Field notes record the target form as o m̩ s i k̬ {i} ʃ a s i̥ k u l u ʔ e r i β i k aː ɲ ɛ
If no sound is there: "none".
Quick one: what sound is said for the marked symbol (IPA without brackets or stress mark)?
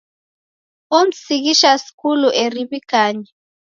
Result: i